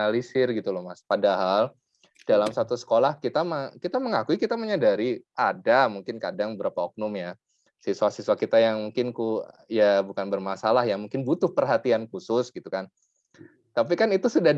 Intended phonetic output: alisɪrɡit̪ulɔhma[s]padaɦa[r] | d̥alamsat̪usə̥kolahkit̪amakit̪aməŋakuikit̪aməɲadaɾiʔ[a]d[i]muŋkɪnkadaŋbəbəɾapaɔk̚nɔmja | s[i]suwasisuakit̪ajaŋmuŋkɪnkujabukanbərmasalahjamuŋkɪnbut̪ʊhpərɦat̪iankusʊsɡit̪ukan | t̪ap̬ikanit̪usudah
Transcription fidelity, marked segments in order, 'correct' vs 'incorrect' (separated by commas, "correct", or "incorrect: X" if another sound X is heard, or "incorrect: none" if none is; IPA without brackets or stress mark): correct, incorrect: l, correct, incorrect: a, correct